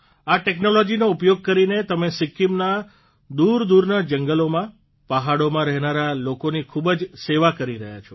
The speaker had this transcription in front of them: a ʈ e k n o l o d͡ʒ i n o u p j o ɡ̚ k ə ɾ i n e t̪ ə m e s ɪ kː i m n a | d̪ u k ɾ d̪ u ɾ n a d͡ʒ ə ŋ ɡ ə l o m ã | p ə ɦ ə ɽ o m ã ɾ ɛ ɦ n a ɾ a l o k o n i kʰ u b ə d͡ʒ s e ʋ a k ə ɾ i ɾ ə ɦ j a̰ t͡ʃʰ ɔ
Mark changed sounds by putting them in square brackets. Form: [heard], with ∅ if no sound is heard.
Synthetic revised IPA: a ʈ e k n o l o d͡ʒ i n o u p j o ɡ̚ k ə ɾ i n e t̪ ə m e s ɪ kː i m n a | d̪ u [∅] ɾ d̪ u ɾ n a d͡ʒ ə ŋ ɡ ə l o m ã | p ə ɦ [a] ɽ o m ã ɾ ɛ ɦ n a ɾ a l o k o n i kʰ u b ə d͡ʒ s e ʋ a k ə ɾ i ɾ ə ɦ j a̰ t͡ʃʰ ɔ

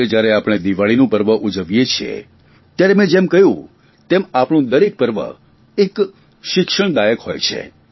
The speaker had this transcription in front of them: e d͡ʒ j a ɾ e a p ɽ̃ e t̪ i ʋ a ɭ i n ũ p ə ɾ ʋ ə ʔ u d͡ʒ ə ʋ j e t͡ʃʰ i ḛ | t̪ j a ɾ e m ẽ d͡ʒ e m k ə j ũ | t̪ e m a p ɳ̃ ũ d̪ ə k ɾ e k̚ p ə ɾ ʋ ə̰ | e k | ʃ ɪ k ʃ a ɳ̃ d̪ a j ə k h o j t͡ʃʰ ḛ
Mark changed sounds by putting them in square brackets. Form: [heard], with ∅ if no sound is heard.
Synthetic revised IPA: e d͡ʒ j a ɾ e a p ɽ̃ e [d̪] i ʋ a ɭ i n ũ p ə ɾ ʋ ə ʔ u d͡ʒ ə ʋ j e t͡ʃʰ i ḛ | t̪ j a ɾ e m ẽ d͡ʒ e m k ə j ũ | t̪ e m a p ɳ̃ ũ d̪ ə [∅] ɾ e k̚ p ə ɾ ʋ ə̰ | e k | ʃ ɪ k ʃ [ə] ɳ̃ d̪ a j ə k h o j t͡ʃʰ ḛ

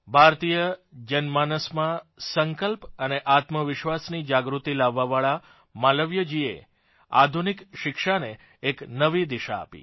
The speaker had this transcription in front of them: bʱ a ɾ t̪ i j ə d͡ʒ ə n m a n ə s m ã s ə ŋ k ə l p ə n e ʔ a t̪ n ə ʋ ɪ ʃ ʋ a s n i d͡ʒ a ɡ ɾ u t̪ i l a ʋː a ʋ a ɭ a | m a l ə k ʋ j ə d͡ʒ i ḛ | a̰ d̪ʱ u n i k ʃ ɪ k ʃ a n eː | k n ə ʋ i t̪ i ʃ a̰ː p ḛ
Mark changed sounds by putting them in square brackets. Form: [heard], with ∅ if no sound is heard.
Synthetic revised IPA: bʱ a ɾ t̪ i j ə d͡ʒ ə n m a n ə s m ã s ə ŋ k ə l p ə n e ʔ a t̪ [m] ə ʋ ɪ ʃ ʋ a s n i d͡ʒ a ɡ ɾ u t̪ i l a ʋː a ʋ a ɭ a | m a l ə [∅] ʋ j ə d͡ʒ i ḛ | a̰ d̪ʱ u n i k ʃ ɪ k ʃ a n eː | k n ə ʋ i [d̪] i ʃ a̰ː p [ḭ]

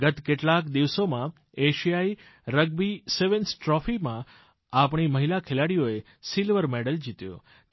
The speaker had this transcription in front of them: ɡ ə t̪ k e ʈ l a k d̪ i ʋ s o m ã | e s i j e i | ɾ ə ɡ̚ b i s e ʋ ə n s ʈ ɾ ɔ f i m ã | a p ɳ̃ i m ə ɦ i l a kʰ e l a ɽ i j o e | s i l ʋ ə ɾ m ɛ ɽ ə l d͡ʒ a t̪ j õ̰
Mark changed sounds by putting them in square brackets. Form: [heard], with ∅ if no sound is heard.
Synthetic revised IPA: ɡ ə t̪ k e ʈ l a k d̪ i ʋ s o m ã | e [ʃ] i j [a] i | ɾ ə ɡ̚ b i s e ʋ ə n s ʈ ɾ ɔ f i m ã | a p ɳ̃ i m ə ɦ i l a kʰ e l a ɽ i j o e | s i l ʋ ə ɾ m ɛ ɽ ə l d͡ʒ [i] t̪ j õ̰

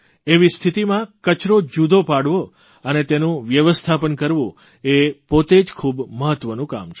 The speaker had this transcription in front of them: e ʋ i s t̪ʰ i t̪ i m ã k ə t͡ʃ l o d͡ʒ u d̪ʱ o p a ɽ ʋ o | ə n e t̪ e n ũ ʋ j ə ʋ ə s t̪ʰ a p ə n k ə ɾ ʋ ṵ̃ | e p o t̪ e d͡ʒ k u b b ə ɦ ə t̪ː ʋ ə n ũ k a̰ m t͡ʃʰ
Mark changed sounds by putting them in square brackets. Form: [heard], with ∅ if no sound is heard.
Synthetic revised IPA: e ʋ i s t̪ʰ i t̪ i m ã k ə t͡ʃ [ɾ] o d͡ʒ u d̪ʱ o p a ɽ ʋ o | ə n e t̪ e n ũ ʋ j ə ʋ ə s t̪ʰ a p ə n k ə ɾ ʋ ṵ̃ | e p o t̪ e d͡ʒ [kʰ] u b [m] ə ɦ ə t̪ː ʋ ə n ũ k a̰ m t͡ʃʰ

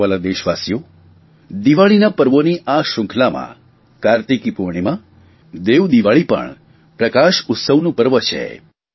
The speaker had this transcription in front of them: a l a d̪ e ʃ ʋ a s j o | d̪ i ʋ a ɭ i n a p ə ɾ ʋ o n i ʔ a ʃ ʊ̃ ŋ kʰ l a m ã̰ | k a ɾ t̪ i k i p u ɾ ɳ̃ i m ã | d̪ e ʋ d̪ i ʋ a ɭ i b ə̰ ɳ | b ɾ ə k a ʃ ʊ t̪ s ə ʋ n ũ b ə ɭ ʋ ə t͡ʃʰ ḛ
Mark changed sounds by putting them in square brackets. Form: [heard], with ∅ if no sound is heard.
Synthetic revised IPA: a l a d̪ e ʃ ʋ a s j o | d̪ i ʋ a ɭ i n a p ə ɾ ʋ o n i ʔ a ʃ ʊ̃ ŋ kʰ l a m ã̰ | k a ɾ t̪ i k i p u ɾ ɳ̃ i m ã | d̪ e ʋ d̪ i ʋ a ɭ i [p] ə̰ ɳ | [p] ɾ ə k a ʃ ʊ t̪ s ə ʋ n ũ [p] ə [ɾ] ʋ ə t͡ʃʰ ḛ

